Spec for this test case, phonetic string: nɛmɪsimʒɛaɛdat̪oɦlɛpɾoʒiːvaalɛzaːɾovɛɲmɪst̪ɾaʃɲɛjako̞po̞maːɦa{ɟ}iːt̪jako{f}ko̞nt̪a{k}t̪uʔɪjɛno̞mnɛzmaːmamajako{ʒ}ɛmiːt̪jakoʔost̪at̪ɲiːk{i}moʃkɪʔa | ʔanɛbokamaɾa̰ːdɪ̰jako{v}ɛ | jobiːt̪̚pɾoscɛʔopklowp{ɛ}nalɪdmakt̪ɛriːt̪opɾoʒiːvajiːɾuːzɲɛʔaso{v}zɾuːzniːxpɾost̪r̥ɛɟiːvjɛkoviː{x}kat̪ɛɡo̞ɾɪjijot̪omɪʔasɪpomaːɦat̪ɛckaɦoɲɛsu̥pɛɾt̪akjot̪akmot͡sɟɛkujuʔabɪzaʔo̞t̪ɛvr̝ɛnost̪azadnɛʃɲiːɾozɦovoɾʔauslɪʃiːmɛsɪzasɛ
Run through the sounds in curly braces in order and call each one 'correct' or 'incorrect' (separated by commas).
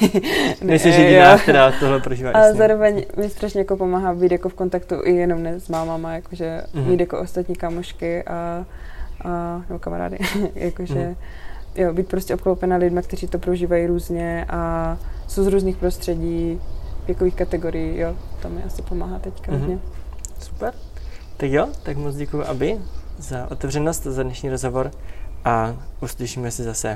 incorrect, correct, correct, correct, incorrect, incorrect, correct, incorrect, correct